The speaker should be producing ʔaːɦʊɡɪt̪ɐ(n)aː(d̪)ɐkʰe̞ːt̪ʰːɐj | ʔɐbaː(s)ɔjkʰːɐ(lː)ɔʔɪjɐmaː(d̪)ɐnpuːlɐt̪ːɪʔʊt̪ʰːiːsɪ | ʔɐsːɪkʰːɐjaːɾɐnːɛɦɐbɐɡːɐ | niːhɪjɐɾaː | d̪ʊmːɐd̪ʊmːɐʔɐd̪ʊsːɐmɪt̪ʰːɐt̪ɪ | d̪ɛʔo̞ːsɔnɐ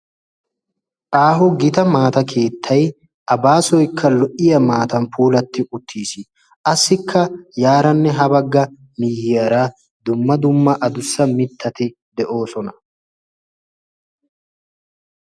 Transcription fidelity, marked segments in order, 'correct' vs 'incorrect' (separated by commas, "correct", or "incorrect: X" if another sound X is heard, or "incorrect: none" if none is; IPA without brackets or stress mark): incorrect: m, incorrect: t̪, correct, incorrect: l, incorrect: t̪